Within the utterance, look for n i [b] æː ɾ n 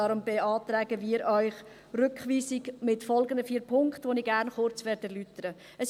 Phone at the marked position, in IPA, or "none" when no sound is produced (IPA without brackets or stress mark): ɡ